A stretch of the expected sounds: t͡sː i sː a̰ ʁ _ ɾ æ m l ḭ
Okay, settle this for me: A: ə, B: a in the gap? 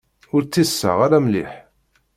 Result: B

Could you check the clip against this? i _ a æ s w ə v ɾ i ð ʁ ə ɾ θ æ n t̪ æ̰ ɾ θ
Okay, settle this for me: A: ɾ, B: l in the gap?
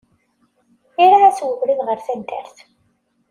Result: A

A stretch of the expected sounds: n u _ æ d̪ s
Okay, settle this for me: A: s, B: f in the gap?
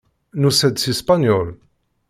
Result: A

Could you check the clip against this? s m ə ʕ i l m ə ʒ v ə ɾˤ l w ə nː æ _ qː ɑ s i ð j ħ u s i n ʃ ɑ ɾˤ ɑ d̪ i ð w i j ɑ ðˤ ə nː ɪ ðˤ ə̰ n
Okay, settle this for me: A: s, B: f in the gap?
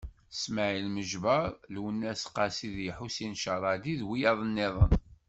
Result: A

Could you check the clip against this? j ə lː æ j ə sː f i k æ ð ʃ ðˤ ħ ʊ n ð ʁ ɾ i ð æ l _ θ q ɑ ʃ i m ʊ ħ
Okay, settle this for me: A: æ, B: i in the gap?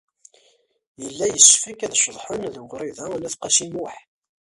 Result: A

